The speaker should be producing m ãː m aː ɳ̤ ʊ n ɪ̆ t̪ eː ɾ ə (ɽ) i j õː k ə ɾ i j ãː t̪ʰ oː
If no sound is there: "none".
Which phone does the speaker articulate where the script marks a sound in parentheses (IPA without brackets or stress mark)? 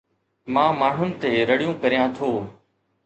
ɽ